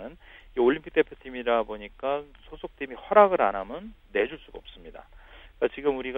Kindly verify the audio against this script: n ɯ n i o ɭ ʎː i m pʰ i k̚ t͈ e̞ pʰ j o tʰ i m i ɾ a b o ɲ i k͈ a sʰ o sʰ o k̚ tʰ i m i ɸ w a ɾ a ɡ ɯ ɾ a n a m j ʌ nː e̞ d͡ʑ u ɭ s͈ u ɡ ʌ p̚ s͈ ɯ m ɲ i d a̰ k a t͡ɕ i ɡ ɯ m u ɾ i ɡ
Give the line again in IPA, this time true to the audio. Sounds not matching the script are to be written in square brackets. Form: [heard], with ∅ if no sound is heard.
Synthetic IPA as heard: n ɯ n i o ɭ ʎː i m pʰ i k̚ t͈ e̞ pʰ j o tʰ i m i ɾ a b o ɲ i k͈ a sʰ o sʰ o k̚ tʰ i m i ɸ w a ɾ a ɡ ɯ ɾ a n a m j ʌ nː e̞ d͡ʑ u ɭ s͈ u ɡ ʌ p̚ s͈ ɯ m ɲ i d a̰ k a t͡ɕ i ɡ ɯ m u ɾ i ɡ